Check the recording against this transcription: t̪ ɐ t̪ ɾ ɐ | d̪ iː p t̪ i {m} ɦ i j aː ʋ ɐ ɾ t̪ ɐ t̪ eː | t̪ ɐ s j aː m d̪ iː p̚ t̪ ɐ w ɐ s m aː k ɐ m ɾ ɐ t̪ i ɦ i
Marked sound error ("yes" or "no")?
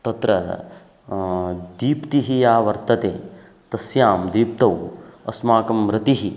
yes